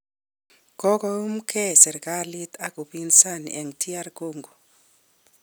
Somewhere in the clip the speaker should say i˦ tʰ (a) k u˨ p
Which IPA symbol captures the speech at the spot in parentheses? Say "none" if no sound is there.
a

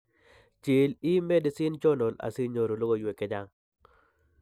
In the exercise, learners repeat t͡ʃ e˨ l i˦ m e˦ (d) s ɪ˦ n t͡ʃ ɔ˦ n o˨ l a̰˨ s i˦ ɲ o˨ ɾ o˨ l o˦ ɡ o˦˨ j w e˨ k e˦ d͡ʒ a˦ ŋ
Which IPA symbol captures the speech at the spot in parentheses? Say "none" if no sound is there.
d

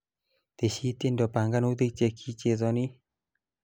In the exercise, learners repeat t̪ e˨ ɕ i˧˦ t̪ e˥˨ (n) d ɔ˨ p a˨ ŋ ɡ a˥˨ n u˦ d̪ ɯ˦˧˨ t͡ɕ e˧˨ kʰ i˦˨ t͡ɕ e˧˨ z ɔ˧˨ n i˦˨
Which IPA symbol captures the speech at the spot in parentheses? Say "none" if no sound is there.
n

